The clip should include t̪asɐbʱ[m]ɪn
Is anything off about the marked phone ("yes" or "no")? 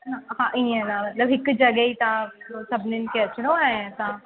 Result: yes